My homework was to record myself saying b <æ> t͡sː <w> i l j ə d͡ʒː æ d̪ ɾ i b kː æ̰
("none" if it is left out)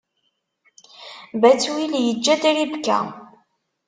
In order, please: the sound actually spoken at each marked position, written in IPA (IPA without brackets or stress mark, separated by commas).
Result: æ, w